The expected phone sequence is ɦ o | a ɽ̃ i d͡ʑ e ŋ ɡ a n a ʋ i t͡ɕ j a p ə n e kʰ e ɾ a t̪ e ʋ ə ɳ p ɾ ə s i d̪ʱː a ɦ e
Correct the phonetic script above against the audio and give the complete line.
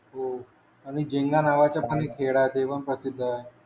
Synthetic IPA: ɦ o | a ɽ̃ i d͡ʑ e ŋ ɡ a n a ʋ a t͡ɕ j a p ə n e kʰ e ɽ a t̪ e ʋ ə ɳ p ɾ ə s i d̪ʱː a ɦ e